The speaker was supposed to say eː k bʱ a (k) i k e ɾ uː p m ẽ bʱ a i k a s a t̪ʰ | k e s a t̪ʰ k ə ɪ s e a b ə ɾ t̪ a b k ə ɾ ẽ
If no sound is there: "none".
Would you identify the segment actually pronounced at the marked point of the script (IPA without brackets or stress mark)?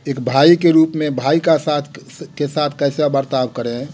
none